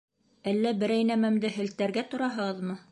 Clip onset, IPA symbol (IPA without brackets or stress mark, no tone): æ